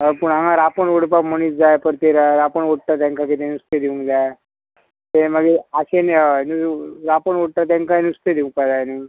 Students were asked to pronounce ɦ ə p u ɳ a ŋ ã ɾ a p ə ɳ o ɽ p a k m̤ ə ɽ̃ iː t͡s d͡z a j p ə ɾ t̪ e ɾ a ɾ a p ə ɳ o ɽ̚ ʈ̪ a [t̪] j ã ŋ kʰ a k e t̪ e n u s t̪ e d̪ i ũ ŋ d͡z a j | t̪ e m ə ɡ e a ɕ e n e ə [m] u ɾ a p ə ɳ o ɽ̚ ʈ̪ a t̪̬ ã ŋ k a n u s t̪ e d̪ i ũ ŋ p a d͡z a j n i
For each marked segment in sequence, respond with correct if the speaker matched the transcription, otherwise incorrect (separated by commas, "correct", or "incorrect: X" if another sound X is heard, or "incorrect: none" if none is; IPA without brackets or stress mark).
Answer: correct, incorrect: n